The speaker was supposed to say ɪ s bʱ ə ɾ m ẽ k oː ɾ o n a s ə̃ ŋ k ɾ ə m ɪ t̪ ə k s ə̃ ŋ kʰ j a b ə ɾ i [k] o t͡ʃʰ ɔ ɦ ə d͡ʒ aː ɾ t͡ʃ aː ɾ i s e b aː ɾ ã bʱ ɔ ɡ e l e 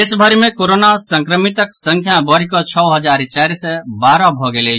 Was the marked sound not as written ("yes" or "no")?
no